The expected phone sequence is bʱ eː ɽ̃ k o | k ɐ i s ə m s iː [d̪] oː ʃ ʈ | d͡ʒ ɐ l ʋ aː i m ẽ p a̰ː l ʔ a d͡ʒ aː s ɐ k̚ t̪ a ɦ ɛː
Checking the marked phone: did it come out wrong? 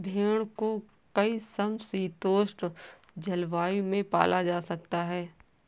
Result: yes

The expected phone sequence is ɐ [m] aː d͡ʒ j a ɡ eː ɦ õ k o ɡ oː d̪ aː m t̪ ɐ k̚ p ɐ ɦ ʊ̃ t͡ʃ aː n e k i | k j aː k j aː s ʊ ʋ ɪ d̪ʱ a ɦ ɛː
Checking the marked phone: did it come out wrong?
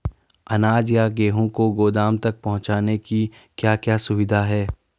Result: yes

